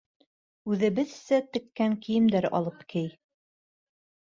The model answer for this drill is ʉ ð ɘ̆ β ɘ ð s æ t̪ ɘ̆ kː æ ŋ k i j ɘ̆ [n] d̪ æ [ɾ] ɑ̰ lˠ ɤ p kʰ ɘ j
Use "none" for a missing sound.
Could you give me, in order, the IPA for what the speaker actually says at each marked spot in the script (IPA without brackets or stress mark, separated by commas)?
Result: m, ɾ